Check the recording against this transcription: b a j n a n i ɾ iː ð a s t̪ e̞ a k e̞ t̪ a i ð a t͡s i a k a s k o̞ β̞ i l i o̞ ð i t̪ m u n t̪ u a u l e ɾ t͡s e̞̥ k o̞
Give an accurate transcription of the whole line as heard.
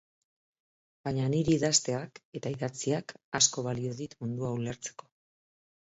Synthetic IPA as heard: b a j ɲ a n i ɾ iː ð a s t̪ e̞ a k e̞ t̪ a i ð a t͡s i a k a s k o̞ β̞ a l i o̞ ð i t̪ m u n d̪ u a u l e ɾ t͡s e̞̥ k o̞